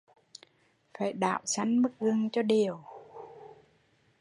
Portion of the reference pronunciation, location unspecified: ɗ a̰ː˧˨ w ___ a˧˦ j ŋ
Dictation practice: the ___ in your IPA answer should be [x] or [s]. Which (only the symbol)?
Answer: s